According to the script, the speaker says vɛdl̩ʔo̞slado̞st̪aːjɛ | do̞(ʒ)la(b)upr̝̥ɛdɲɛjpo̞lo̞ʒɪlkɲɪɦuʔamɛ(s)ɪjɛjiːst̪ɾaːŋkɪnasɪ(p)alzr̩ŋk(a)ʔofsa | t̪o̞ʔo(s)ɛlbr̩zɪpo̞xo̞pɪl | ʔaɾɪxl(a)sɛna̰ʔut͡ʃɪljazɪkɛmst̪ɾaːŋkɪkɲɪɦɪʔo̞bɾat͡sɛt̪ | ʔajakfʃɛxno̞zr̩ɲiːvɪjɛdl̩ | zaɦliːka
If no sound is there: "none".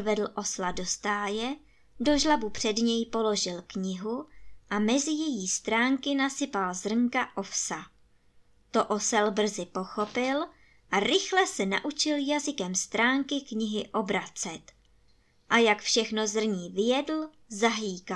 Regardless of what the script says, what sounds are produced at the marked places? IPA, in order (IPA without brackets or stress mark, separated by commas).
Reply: ʒ, b, z, p, a, s, ɛ